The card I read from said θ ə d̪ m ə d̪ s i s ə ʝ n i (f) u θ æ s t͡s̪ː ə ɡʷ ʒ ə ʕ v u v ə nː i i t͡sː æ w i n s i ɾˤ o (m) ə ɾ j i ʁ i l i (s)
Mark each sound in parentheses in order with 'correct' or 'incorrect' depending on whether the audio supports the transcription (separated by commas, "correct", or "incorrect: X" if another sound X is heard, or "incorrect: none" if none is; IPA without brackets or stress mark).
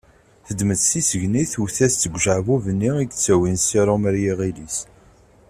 incorrect: θ, correct, correct